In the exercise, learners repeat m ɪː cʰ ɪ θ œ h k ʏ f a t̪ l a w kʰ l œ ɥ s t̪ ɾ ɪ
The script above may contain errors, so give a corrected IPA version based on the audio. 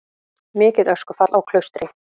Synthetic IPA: m ɪː c ɪ ð œ s k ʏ f a t̪ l a w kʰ l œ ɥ s t̪ ɾ ɪ